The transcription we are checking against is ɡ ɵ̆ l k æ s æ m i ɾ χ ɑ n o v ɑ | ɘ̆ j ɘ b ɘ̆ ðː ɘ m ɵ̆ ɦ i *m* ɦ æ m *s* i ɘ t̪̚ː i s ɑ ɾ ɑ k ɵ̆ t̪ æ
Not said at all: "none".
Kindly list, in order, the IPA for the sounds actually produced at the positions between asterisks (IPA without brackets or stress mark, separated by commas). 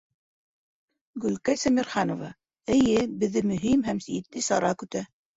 m, s